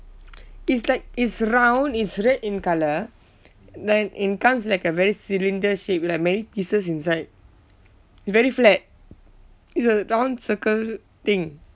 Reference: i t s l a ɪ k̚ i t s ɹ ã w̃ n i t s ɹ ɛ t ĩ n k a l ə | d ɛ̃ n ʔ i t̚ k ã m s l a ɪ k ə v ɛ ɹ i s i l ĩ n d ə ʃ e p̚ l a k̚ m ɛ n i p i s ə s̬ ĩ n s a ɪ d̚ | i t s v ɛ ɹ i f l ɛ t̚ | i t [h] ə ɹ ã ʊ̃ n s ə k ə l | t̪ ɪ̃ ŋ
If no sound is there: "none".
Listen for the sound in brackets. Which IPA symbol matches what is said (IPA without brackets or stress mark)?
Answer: s